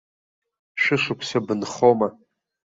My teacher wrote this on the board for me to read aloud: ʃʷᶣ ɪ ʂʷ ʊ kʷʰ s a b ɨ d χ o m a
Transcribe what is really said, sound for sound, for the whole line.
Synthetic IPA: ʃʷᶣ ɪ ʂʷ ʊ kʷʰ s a b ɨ n χ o m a